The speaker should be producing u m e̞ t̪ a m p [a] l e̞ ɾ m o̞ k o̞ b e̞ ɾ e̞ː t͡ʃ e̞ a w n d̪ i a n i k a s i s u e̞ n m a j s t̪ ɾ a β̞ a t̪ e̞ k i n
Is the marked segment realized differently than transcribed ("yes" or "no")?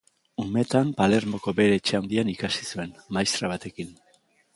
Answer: no